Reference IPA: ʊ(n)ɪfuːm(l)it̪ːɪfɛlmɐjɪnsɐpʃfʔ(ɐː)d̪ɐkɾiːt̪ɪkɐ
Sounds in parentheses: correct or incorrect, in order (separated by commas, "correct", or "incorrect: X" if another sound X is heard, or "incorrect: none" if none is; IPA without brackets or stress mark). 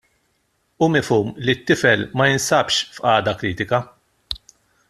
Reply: incorrect: m, correct, correct